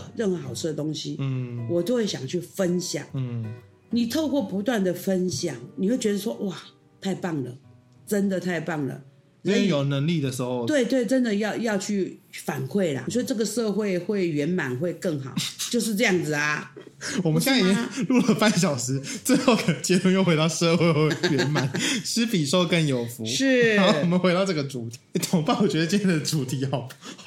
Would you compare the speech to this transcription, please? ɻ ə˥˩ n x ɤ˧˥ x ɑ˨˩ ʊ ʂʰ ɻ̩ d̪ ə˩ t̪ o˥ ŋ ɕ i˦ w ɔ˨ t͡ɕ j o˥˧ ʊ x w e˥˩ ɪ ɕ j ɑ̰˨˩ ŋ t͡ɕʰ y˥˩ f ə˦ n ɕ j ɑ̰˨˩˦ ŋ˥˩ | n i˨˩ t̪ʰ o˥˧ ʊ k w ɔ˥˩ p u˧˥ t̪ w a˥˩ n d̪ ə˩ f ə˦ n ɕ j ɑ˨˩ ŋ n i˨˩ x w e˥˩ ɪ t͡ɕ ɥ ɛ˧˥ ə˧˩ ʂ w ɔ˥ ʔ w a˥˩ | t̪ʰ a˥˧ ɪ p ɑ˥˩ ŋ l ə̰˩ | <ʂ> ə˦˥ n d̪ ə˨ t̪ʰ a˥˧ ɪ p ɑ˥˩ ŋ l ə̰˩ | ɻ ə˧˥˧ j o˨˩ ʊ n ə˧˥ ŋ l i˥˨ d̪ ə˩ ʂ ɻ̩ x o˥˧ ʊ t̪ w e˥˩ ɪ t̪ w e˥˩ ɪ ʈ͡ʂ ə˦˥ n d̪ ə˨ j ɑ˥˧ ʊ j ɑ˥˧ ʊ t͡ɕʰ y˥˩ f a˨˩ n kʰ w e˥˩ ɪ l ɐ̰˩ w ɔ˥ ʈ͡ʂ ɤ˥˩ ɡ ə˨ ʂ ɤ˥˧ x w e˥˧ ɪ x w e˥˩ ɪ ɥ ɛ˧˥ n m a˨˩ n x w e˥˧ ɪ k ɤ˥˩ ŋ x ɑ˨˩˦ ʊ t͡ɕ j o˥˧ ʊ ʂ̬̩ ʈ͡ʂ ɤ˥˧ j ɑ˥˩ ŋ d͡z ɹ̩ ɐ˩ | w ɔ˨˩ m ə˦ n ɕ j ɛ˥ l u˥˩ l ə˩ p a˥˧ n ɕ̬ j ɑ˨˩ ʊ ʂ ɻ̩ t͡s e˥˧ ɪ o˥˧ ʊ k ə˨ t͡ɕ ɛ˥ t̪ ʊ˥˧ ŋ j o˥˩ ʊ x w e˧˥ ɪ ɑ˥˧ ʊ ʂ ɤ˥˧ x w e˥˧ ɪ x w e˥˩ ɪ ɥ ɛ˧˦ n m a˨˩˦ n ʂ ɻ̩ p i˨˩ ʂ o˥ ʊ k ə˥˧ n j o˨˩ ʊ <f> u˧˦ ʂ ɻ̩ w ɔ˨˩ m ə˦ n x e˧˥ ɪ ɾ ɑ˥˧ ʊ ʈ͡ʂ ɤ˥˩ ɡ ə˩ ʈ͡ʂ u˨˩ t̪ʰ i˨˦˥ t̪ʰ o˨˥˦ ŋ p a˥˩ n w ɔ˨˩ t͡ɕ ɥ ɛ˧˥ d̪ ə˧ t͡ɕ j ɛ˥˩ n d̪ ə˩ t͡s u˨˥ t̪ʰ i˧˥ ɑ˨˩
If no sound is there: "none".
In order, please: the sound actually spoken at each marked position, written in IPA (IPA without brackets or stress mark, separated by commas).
ʈ͡ʂ, f